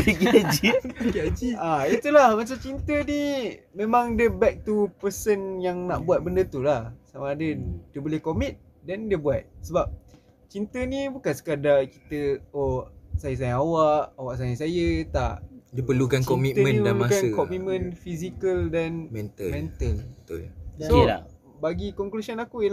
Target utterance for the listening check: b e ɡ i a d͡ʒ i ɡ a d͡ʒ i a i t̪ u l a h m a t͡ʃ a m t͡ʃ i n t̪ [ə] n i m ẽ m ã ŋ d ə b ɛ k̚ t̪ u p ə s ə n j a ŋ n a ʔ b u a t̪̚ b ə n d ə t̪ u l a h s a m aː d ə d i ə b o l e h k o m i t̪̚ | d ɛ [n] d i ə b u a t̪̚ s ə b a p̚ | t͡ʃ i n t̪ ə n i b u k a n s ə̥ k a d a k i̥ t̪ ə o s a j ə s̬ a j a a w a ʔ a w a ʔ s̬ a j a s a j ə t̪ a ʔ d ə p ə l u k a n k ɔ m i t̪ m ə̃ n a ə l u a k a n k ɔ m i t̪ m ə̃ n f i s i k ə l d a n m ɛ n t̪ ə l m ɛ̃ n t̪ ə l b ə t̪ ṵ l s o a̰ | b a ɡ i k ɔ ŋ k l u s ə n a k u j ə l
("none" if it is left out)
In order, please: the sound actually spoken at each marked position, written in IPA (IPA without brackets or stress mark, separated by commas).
ə, n